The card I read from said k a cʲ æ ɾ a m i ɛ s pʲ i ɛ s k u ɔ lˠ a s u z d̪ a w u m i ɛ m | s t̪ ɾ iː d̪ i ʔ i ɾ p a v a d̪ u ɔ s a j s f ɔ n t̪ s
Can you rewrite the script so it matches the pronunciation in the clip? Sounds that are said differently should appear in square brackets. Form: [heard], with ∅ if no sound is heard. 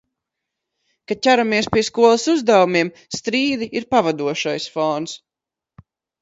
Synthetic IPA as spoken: k a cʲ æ ɾ a m i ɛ s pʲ i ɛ s k u ɔ lˠ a s u z d̪ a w u m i ɛ m | s t̪ ɾ iː d̪ i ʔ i ɾ p a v a d̪ u ɔ [ʃ] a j s f ɔ n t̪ s